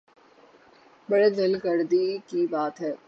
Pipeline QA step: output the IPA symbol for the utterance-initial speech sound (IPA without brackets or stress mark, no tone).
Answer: b